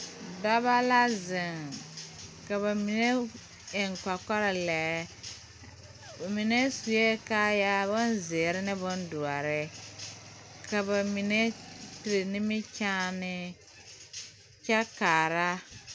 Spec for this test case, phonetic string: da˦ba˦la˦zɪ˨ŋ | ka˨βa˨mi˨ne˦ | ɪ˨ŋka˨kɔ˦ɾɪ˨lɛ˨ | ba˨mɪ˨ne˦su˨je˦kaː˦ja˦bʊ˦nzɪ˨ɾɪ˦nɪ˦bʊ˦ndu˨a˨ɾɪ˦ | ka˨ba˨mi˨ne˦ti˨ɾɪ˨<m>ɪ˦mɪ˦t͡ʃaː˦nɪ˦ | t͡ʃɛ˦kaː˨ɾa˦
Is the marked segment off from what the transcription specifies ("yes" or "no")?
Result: yes